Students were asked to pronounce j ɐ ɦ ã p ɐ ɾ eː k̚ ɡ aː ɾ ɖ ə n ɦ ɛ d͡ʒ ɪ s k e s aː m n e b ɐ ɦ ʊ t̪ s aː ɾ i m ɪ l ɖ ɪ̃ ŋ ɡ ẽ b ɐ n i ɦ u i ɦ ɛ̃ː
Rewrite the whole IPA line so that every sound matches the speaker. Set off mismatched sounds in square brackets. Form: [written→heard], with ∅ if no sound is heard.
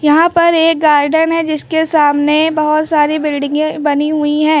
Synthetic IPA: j ɐ ɦ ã p ɐ ɾ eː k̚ ɡ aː ɾ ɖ ə n ɦ ɛ d͡ʒ ɪ s k e s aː m n e b ɐ ɦ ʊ t̪ s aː ɾ i [m→b] ɪ l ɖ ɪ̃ ŋ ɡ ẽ b ɐ n i ɦ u i ɦ ɛ̃ː